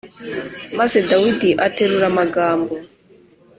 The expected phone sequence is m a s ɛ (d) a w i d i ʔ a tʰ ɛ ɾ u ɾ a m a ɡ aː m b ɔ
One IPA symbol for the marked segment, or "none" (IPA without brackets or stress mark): d